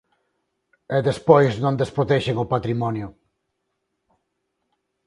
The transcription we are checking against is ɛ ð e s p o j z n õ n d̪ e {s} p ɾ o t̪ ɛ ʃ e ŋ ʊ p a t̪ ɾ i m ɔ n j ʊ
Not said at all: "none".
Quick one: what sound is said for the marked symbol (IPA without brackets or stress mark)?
s